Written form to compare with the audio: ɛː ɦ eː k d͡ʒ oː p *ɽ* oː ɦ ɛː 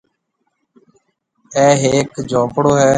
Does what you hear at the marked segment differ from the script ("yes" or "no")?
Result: no